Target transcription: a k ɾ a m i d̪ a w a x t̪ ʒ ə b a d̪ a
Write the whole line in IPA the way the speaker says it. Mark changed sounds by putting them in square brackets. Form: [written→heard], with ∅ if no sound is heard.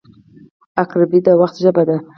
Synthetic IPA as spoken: a k ɾ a [m→b] i d̪ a w a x t̪ ʒ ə b a d̪ a